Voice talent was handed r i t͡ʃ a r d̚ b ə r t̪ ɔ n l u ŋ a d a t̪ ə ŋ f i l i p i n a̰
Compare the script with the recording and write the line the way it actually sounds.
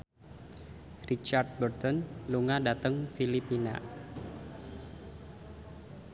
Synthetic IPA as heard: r i t͡ʃ a r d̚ b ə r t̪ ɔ n l u ŋ a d a t̪ ə ŋ f i l i p i n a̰